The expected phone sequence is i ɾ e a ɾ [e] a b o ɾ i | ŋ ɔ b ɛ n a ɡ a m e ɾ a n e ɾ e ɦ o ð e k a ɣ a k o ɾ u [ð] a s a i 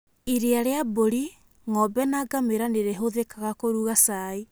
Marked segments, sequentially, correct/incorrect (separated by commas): correct, incorrect